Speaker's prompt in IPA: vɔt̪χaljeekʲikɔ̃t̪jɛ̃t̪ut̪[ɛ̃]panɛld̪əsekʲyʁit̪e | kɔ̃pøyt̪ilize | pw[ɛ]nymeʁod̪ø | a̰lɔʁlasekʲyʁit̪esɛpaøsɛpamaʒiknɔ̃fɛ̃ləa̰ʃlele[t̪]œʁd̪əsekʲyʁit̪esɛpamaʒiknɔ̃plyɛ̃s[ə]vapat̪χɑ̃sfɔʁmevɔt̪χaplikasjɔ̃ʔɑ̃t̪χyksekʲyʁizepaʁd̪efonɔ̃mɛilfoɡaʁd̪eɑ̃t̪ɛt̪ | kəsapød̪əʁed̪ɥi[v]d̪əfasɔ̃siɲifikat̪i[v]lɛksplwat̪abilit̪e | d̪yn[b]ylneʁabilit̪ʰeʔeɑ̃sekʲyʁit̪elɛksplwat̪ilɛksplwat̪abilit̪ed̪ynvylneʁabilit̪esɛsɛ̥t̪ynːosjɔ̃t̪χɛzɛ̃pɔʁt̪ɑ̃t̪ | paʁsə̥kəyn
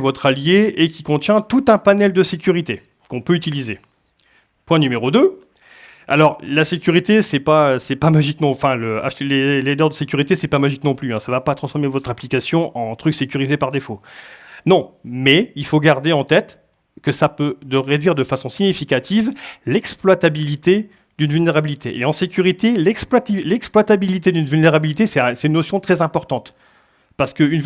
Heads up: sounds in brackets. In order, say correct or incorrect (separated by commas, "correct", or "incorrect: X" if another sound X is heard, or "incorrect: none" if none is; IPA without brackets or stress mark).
correct, incorrect: ɛ̃, incorrect: d̪, incorrect: a, incorrect: ʁ, correct, incorrect: v